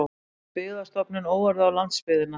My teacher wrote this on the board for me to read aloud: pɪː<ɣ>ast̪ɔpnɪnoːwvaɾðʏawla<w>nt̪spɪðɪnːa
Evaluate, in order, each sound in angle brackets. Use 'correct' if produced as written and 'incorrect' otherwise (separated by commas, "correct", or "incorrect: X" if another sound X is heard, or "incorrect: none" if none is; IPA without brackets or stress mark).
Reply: incorrect: ð, incorrect: none